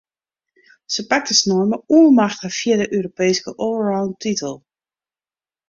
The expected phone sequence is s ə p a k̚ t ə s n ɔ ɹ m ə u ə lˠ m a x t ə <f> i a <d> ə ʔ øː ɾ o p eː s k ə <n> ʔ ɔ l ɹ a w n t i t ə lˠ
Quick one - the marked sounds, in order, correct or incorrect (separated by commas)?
correct, correct, incorrect